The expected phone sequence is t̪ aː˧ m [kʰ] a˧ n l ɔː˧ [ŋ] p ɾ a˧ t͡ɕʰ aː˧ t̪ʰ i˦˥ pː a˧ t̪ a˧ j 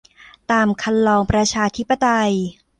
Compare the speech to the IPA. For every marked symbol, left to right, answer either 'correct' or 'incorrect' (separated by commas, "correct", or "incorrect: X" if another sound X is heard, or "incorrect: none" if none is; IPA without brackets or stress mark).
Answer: correct, correct